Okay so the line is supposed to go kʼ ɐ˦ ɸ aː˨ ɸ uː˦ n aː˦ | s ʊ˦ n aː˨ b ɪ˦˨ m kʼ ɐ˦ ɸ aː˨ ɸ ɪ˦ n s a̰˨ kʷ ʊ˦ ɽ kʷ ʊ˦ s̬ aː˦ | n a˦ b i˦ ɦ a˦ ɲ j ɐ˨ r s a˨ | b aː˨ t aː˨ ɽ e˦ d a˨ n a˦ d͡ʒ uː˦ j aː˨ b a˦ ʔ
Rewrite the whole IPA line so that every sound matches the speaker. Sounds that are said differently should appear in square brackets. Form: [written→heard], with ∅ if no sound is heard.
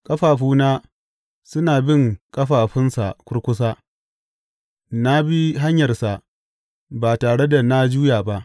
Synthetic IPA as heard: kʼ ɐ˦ ɸ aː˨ ɸ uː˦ n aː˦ | s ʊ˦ n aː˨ b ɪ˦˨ [m→ŋ] kʼ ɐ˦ ɸ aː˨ ɸ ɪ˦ n s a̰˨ kʷ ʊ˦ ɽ kʷ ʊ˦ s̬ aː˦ | n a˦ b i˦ ɦ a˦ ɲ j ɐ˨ r s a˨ | b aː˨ t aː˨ ɽ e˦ d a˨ n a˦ d͡ʒ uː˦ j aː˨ b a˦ ʔ